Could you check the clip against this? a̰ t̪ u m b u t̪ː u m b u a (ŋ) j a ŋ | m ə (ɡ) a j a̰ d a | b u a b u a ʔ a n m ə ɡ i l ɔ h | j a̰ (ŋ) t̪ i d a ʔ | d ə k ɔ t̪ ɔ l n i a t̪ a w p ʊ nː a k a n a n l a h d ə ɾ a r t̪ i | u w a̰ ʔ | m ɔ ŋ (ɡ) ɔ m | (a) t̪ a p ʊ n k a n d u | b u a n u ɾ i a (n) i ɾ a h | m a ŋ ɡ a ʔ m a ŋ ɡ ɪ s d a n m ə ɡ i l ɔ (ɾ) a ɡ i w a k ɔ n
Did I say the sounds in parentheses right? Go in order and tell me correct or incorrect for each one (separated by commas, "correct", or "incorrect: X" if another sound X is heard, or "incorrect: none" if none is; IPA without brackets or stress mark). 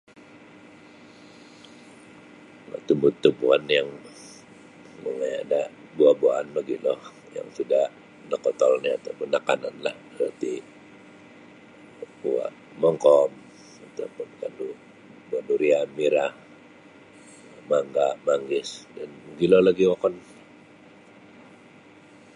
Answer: incorrect: n, incorrect: ŋ, correct, incorrect: k, correct, incorrect: m, incorrect: l